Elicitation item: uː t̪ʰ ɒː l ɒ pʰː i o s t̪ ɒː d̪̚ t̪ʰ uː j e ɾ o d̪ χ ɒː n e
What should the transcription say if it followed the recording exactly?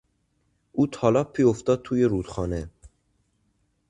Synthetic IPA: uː t̪ʰ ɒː l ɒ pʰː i o f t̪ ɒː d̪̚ t̪ʰ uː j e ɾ u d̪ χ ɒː n e